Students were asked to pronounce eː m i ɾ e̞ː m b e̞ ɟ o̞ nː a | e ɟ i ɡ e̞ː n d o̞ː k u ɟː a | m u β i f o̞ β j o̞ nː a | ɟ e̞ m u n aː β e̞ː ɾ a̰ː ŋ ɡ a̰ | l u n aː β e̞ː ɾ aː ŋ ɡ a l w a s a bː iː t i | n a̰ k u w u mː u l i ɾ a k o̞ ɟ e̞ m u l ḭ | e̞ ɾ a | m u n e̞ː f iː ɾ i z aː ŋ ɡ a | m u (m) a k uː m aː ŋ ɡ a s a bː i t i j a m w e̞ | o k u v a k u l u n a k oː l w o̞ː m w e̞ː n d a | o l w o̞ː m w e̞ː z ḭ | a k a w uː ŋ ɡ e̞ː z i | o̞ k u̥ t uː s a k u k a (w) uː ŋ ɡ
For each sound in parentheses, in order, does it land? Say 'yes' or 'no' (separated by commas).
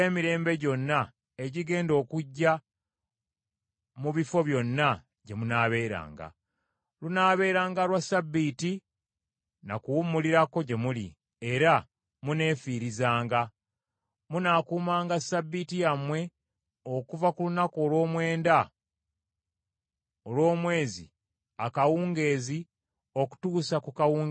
no, yes